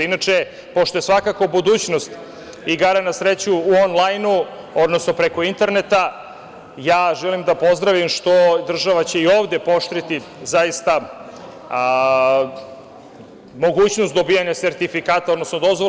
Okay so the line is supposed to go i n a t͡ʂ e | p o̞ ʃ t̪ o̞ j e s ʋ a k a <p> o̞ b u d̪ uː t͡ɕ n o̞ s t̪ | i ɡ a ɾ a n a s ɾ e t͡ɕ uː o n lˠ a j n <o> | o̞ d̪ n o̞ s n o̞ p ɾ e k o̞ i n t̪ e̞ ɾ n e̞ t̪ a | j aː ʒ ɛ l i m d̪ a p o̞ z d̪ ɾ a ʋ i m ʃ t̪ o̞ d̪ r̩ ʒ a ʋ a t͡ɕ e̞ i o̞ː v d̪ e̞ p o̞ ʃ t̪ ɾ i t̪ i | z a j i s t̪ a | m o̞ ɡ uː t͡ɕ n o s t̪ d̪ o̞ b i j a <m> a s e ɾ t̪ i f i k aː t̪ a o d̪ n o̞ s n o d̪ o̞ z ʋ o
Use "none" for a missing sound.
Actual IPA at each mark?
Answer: k, u, ɲ

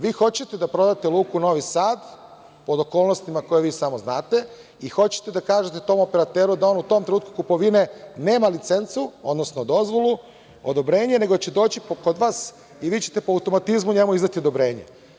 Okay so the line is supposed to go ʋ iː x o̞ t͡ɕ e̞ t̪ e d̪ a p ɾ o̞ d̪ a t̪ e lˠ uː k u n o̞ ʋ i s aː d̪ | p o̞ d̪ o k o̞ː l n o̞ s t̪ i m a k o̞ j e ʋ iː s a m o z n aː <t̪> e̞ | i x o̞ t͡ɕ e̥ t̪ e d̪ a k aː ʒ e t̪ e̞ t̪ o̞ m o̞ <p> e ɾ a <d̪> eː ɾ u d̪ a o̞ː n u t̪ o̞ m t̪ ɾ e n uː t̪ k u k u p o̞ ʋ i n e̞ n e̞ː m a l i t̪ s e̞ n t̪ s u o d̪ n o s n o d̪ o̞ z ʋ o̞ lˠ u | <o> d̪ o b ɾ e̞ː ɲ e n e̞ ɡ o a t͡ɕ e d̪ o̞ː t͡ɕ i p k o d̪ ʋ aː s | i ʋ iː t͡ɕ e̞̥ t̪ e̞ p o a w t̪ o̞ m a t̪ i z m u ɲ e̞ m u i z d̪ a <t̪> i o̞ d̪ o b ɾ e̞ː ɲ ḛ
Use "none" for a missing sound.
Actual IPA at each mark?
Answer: t̪, p, t̪, o, t̪

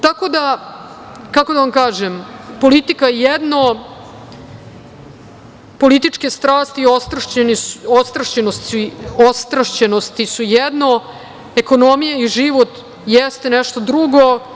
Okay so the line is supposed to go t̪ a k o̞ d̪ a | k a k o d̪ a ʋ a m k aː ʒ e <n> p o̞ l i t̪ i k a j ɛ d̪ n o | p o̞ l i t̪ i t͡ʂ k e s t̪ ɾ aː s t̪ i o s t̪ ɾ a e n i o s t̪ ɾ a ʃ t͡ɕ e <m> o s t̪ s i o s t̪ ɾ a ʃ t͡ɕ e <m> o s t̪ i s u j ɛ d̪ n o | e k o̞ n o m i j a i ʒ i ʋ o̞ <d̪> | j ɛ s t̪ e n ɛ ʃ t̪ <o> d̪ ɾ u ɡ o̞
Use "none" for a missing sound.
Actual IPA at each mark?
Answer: m, n, n, t̪, o

